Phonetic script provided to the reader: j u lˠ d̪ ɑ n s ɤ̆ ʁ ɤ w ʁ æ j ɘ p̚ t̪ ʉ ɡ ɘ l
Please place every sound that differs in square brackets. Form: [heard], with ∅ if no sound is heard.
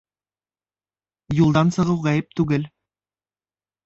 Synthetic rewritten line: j u lˠ d̪ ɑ n s ɤ̆ ʁ ɤ w ʁ æ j ɘ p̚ t̪ ʉ ɡ ɘ l

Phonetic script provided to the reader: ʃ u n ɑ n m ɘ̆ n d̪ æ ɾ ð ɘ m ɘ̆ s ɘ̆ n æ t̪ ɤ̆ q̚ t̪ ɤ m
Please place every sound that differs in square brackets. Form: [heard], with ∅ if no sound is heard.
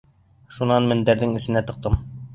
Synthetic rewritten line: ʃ u n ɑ n m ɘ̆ n d̪ æ ɾ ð ɘ [ŋ] ɘ̆ s ɘ̆ n æ t̪ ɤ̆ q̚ t̪ ɤ m

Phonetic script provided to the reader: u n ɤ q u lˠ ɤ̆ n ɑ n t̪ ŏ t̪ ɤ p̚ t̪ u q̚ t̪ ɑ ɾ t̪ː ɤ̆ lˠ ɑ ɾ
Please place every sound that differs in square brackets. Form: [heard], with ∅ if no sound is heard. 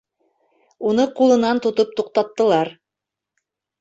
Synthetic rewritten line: u n ɤ q u lˠ ɤ̆ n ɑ n t̪ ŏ t̪ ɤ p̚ t̪ u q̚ t̪ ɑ [∅] t̪ː ɤ̆ lˠ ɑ ɾ

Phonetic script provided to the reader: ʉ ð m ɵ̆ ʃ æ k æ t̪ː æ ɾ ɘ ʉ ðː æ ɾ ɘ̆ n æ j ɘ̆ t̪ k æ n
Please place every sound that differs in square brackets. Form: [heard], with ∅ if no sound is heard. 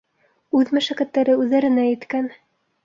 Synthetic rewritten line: ʉ ð m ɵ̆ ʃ æ k æ t̪ː æ ɾ ɘ ʉ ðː æ ɾ ɘ̆ n æ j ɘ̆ t̪ k æ n

